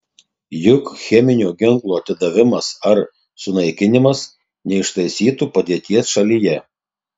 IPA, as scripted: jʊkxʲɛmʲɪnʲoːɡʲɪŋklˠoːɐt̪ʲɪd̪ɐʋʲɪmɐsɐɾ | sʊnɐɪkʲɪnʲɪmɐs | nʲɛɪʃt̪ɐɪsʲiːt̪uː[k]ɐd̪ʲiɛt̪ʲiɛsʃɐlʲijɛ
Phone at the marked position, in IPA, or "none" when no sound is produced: p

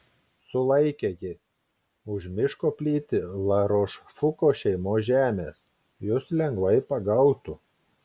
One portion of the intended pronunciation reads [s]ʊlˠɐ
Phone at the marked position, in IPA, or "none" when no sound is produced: s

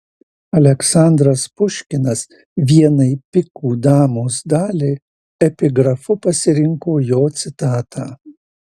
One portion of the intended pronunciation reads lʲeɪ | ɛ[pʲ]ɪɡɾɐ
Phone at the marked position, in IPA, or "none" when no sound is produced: pʲ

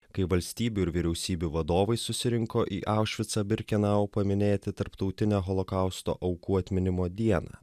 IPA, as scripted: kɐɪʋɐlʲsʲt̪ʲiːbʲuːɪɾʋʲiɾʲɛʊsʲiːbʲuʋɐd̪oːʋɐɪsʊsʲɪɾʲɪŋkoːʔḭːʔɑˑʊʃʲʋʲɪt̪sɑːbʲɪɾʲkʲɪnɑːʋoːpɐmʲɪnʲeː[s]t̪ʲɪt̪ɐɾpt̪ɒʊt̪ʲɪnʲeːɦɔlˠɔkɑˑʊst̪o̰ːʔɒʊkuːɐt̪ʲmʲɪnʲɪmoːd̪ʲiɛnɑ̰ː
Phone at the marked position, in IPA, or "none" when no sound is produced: none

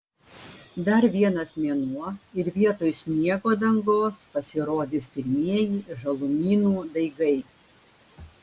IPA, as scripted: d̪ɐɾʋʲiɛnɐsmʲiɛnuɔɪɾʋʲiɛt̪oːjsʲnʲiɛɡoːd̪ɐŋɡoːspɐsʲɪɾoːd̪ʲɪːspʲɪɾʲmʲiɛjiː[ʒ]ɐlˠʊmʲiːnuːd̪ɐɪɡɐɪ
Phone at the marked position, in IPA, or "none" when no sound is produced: ʒ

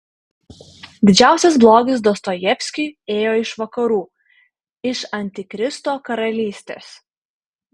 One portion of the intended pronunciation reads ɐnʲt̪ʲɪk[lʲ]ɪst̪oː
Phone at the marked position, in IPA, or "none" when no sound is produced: ɾʲ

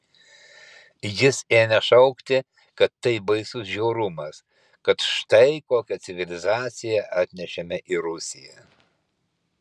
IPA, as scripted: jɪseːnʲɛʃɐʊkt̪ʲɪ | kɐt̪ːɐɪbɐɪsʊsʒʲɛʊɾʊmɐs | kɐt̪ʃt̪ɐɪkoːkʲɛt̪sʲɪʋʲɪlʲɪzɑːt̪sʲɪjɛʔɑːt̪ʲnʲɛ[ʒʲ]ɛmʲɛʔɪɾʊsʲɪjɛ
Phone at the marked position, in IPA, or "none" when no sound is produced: ʃʲ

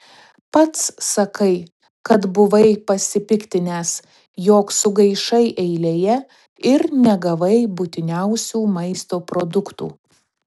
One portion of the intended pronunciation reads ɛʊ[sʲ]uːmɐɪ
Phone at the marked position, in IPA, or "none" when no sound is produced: sʲ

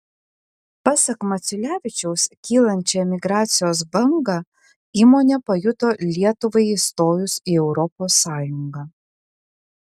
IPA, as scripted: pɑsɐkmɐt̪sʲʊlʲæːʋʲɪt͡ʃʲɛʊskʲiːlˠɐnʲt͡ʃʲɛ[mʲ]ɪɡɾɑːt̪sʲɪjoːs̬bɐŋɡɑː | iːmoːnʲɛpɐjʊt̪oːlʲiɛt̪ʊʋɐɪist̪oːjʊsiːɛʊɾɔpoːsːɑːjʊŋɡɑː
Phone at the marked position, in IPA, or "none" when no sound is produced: mʲ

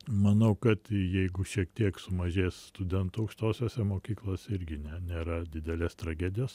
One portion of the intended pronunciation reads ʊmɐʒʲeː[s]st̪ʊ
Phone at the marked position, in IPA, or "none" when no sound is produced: s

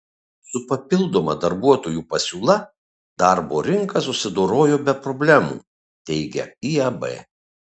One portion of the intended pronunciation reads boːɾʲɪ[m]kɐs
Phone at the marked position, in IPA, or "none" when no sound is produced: ŋ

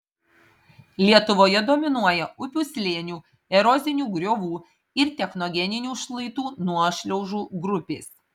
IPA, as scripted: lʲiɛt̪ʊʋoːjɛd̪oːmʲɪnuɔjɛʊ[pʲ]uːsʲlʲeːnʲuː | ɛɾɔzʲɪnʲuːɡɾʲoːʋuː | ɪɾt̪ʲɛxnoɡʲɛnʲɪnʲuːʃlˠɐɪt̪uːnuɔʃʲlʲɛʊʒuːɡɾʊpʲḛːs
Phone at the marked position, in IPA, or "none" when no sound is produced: pʲ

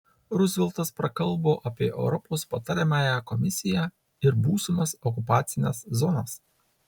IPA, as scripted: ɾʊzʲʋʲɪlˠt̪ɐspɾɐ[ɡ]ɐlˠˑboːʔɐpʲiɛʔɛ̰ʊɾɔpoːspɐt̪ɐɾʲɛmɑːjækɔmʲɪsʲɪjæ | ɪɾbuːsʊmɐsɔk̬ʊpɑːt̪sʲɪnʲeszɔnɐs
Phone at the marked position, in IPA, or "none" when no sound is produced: k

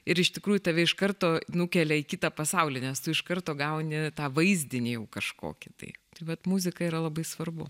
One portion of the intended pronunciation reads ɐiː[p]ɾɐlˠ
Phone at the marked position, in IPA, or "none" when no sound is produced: none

